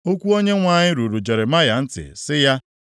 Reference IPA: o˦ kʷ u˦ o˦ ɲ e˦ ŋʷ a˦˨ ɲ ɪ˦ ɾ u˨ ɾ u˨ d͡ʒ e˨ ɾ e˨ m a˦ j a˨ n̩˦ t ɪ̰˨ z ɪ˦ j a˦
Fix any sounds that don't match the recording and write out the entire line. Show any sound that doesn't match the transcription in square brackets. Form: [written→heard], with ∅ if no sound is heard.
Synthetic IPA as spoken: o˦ kʷ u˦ o˦ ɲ e˦ ŋʷ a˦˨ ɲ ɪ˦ ɾ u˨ ɾ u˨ d͡ʒ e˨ ɾ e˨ m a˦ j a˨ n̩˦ t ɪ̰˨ [z→s] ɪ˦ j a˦